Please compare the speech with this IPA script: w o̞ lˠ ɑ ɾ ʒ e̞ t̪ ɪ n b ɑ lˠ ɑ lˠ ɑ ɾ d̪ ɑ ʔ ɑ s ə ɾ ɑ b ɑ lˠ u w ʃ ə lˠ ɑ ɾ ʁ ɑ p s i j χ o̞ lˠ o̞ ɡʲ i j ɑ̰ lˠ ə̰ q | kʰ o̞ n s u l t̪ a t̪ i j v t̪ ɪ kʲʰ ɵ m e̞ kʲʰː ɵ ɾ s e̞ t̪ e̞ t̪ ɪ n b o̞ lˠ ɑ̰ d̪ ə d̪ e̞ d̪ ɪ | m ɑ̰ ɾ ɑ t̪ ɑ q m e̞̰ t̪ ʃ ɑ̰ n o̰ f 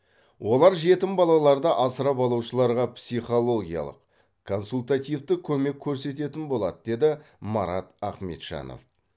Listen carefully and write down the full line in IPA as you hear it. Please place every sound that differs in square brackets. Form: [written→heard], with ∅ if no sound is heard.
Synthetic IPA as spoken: w o̞ lˠ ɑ ɾ ʒ e̞ t̪ ɪ [n→m] b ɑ lˠ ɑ lˠ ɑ ɾ d̪ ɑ ʔ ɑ s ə ɾ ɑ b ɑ lˠ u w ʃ ə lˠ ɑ ɾ ʁ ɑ p s i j χ o̞ lˠ o̞ ɡʲ i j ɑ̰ lˠ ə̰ q | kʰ o̞ n s u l t̪ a t̪ i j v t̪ ɪ kʲʰ ɵ m e̞ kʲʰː ɵ ɾ s e̞ t̪ e̞ t̪ ɪ n b o̞ lˠ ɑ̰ d̪ ə d̪ e̞ d̪ ɪ | m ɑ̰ ɾ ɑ t̪ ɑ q m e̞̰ t̪ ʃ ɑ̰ n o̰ f